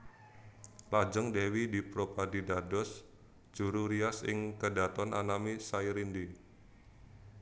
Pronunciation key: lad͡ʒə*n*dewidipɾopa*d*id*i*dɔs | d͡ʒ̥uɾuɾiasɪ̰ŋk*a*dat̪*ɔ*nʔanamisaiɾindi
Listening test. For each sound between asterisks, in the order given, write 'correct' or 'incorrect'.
incorrect: ŋ, correct, incorrect: a, incorrect: ə, correct

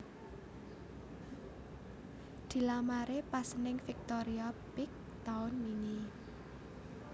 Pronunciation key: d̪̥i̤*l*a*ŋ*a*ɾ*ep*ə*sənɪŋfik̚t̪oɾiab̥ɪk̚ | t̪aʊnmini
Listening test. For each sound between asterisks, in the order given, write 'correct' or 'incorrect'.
correct, incorrect: m, correct, incorrect: a

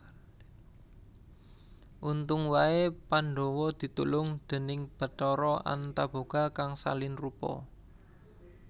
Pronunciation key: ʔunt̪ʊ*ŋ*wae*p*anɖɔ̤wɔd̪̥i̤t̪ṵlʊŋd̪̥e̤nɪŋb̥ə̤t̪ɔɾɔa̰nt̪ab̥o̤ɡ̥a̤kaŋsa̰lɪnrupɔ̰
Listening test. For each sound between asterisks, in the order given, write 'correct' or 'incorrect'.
correct, correct

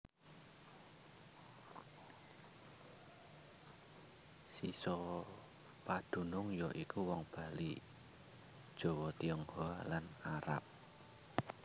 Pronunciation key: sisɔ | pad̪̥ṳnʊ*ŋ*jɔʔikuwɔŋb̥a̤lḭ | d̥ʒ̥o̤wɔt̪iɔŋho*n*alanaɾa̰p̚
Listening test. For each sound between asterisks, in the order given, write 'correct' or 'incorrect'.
correct, incorrect: none

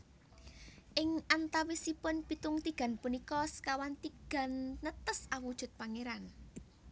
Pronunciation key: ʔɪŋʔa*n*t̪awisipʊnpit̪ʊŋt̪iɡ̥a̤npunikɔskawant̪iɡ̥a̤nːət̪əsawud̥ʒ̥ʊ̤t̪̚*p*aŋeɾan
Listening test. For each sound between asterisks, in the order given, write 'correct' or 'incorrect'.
correct, correct

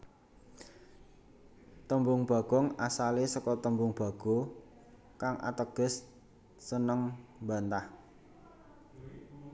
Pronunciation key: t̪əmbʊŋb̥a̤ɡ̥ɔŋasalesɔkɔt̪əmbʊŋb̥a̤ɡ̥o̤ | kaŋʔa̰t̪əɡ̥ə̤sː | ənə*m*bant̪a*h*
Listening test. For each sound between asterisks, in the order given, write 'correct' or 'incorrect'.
incorrect: ŋ, correct

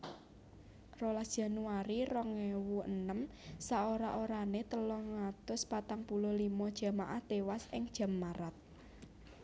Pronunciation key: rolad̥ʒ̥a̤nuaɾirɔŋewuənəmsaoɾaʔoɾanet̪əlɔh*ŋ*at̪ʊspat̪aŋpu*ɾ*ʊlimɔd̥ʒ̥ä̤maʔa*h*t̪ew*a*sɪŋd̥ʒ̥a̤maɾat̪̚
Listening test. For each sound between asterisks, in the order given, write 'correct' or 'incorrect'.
correct, incorrect: l, correct, correct

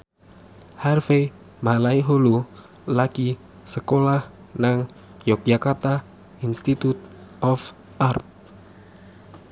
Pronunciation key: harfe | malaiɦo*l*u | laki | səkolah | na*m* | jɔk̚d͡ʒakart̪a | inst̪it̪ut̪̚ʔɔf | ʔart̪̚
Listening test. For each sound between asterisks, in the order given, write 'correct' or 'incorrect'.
correct, incorrect: ŋ

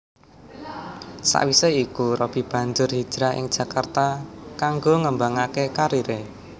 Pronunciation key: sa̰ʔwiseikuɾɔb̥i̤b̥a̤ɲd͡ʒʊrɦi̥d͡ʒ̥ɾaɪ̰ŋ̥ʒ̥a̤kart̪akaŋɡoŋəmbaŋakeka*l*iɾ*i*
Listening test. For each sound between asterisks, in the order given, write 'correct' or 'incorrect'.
incorrect: ɾ, incorrect: e

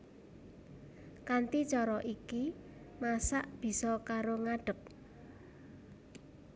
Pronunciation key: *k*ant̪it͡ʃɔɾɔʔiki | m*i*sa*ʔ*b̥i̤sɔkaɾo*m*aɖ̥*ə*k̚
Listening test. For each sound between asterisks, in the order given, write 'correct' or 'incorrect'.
correct, incorrect: a, correct, incorrect: ŋ, correct

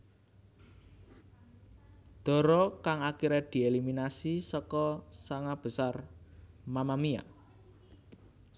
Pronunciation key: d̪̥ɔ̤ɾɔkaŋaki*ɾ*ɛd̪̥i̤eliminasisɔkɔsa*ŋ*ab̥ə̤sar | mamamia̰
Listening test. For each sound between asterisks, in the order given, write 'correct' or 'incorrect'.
correct, correct

